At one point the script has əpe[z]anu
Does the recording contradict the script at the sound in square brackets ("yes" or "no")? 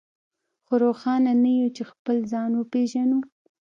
yes